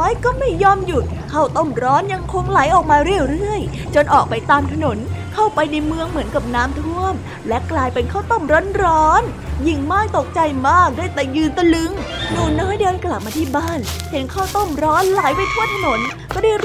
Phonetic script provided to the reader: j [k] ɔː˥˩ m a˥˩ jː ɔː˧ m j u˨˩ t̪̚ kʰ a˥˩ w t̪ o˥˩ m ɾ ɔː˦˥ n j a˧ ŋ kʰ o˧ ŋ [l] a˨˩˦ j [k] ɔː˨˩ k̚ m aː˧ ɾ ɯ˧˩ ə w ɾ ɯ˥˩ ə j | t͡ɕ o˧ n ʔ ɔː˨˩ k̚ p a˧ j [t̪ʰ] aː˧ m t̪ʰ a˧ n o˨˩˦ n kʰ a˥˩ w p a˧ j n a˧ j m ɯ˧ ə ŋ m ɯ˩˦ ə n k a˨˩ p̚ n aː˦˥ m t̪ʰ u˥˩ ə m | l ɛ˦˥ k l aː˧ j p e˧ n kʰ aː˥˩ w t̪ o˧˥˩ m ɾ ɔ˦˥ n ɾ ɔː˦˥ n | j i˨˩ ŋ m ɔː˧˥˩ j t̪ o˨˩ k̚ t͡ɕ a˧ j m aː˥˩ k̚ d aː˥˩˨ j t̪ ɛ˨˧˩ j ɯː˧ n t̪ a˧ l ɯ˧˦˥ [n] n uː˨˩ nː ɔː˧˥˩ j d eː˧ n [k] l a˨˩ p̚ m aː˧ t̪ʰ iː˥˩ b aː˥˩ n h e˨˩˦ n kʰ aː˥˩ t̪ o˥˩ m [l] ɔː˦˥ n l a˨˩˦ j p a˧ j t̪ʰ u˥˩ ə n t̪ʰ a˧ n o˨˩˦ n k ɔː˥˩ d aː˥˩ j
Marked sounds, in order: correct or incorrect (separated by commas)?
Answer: correct, correct, incorrect, incorrect, incorrect, correct, incorrect